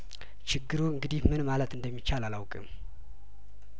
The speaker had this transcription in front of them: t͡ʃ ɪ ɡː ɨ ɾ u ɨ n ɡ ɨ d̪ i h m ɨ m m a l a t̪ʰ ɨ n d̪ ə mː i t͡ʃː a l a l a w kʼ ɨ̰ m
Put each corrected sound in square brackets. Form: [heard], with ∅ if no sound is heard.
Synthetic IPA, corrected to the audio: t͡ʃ ɪ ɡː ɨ ɾ u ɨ [ŋ] ɡ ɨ d̪ i h m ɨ [n] m a l [ə] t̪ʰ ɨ n d̪ ə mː i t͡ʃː a l a l a w kʼ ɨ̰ m